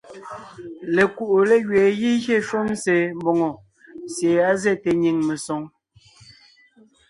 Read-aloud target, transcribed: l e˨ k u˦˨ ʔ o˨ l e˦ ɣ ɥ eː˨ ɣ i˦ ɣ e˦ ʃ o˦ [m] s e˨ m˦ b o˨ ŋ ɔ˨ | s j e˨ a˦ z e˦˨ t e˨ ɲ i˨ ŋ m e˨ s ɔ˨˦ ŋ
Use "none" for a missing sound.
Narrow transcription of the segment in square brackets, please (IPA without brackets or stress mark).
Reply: m